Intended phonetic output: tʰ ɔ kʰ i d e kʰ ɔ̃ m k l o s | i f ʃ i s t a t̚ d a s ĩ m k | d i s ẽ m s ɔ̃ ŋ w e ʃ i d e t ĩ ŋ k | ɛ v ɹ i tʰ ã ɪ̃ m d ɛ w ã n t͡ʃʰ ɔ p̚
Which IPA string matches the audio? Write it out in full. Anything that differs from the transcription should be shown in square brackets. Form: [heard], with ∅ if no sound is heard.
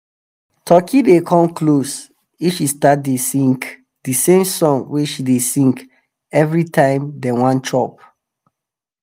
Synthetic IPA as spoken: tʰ ɔ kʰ i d e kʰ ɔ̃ m k l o s | i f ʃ i s t a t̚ d [e] s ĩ [ŋ] k | d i s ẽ m s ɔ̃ ŋ w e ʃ i d e [s] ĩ ŋ k | ɛ v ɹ i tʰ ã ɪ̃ m d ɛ w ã n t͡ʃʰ ɔ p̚